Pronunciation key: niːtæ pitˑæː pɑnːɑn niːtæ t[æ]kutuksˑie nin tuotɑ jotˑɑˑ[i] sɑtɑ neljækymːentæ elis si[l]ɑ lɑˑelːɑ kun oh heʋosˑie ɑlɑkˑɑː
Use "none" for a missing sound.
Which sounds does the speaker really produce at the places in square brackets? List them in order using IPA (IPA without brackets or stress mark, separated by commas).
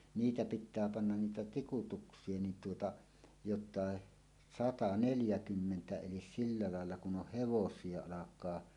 i, e, lː